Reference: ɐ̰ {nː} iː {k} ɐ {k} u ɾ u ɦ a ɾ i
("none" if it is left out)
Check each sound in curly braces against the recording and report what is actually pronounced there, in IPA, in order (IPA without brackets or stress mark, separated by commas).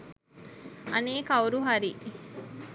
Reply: n, k, none